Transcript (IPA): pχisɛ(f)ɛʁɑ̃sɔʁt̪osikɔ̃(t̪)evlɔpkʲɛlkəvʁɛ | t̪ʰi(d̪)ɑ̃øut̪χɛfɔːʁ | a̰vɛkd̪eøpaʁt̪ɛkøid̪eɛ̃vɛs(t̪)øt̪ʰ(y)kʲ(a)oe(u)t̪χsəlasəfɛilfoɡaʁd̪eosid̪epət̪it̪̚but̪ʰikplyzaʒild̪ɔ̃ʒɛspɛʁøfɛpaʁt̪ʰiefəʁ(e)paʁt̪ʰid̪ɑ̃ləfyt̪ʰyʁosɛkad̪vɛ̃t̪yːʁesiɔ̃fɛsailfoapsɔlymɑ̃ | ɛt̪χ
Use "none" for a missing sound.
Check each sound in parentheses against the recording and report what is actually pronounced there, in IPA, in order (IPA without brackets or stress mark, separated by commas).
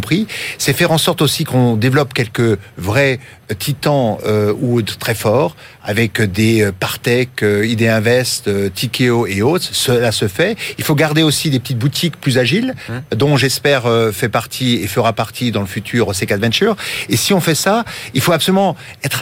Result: f, d̪, t̪, t̪, i, e, o, a